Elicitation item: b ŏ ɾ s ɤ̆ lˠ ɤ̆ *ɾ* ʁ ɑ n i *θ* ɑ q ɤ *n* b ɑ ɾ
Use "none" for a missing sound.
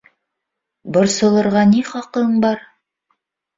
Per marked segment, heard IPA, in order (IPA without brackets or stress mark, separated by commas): ɾ, χ, ɴ